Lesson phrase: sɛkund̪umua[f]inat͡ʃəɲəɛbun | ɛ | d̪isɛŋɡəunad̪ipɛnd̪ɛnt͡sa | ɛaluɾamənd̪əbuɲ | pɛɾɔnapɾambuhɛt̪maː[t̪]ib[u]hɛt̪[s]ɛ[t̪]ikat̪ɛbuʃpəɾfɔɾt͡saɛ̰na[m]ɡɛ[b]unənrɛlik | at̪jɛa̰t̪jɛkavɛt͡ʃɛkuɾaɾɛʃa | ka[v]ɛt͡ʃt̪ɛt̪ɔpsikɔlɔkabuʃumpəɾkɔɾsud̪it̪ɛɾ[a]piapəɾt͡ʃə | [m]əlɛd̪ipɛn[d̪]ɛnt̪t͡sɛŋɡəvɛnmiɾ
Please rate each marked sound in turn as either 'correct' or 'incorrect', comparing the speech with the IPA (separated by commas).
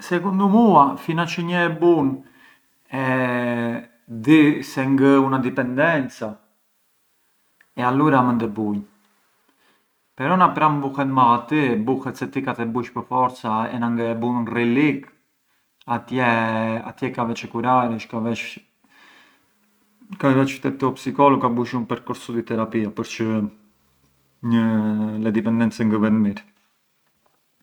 correct, correct, correct, correct, correct, incorrect, correct, correct, correct, incorrect, correct